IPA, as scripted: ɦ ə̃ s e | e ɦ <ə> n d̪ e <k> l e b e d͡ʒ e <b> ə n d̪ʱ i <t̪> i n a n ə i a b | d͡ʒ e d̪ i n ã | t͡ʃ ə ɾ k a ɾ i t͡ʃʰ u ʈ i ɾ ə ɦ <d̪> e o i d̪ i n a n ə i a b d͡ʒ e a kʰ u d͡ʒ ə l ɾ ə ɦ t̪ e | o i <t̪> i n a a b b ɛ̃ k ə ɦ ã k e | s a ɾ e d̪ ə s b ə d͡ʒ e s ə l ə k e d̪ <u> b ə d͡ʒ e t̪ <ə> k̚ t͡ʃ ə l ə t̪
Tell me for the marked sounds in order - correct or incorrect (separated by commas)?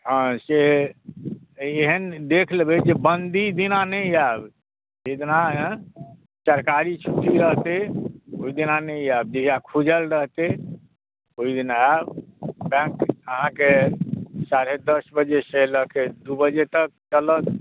correct, incorrect, correct, incorrect, incorrect, incorrect, correct, correct